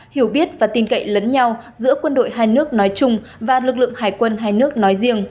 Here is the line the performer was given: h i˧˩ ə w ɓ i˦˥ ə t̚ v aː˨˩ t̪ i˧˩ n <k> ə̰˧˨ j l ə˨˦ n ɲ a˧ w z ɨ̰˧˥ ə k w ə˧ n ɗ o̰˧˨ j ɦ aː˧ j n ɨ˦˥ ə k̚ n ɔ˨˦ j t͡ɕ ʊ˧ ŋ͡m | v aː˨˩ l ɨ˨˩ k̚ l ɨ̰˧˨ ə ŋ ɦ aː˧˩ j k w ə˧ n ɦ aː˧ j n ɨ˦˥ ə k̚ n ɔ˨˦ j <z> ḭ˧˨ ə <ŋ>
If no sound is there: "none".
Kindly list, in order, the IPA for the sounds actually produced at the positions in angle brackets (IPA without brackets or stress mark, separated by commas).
k, z, ŋ